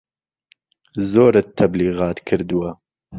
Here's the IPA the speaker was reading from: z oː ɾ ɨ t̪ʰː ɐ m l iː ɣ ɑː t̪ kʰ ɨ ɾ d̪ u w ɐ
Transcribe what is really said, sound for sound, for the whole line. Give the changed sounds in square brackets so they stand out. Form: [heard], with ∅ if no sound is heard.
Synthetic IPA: z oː ɾ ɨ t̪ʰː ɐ [b] l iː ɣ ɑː t̪ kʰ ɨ ɾ d̪ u w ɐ